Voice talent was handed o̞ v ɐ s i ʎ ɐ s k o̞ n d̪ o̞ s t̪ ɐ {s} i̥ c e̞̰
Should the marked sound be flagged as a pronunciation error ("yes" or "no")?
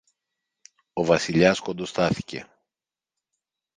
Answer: yes